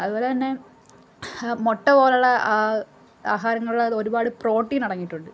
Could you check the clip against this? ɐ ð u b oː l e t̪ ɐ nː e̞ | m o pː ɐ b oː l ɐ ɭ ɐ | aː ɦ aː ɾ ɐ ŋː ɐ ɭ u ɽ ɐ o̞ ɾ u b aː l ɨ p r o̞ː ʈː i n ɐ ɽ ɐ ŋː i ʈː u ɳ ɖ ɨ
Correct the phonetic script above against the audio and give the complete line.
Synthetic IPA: ɐ ð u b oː l e t̪ ɐ nː e̞ | m o ʈː ɐ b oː l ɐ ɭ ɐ | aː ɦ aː ɾ ɐ ŋː ɐ ɭ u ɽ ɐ o̞ ɾ u b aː ɽ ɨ p r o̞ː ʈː i n ɐ ɽ ɐ ŋː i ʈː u ɳ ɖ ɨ